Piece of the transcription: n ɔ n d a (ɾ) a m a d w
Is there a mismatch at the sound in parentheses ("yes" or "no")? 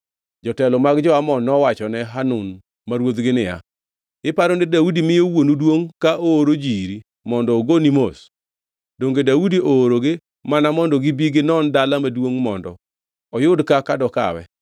yes